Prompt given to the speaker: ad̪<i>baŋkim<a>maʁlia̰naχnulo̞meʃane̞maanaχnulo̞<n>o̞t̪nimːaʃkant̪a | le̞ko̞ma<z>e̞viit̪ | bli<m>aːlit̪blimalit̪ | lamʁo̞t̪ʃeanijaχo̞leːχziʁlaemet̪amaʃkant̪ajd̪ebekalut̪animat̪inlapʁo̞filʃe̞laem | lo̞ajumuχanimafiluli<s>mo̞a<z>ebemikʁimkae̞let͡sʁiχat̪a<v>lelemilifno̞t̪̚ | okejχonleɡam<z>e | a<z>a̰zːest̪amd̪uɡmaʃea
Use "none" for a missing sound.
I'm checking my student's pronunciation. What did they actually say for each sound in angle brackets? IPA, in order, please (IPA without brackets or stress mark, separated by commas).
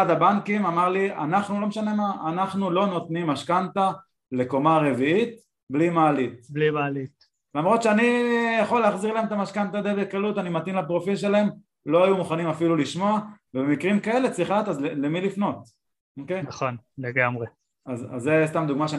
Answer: a, a, n, ʁ, m, ʃ, v, z, ʁ, z